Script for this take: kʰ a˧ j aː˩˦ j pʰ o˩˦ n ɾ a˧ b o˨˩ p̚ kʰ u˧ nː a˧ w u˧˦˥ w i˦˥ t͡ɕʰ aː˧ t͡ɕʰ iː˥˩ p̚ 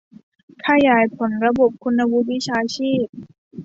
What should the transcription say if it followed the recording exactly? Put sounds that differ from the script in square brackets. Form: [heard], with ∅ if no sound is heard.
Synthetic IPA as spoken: kʰ a˧ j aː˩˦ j pʰ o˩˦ n ɾ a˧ b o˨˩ p̚ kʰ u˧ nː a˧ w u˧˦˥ w i˦˥ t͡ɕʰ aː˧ t͡ɕʰ iː˥˩ p̚